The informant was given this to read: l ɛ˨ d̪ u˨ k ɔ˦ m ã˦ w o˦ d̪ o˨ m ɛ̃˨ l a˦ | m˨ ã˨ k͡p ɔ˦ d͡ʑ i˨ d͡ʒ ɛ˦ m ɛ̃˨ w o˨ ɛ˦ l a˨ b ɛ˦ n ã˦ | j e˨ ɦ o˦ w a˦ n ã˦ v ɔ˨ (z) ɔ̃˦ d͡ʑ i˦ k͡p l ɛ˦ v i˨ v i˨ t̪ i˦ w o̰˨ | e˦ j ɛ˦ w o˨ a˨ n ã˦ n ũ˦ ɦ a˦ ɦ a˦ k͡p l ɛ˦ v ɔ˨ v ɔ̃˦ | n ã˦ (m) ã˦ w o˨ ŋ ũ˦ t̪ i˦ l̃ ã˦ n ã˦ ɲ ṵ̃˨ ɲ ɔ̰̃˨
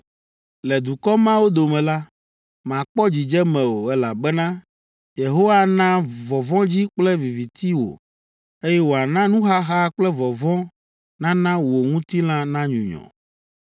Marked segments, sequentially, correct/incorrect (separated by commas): incorrect, incorrect